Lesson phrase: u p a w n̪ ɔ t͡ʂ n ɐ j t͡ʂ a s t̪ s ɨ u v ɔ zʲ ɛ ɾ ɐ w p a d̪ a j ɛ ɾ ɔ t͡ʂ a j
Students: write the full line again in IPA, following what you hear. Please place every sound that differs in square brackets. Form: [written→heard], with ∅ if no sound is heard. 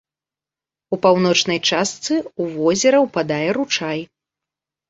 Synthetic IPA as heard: u p a w n̪ ɔ t͡ʂ n ɐ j t͡ʂ a s t̪ s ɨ u v ɔ zʲ ɛ ɾ ɐ w p a d̪ a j ɛ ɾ [ɔ→u] t͡ʂ a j